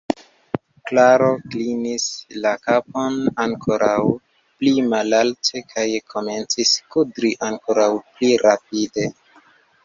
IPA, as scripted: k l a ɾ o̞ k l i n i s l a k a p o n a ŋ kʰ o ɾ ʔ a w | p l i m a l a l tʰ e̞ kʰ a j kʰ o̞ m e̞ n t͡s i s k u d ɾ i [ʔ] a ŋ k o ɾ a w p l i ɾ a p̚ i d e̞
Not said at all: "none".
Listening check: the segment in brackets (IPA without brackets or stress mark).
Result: ʔ